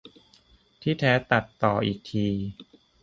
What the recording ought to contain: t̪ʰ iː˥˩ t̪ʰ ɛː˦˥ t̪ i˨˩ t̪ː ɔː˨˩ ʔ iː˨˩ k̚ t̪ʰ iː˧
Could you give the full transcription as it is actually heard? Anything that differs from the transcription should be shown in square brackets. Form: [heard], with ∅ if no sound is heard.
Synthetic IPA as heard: t̪ʰ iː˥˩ t̪ʰ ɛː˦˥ t̪ [a˨˩] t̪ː ɔː˨˩ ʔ iː˨˩ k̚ t̪ʰ iː˧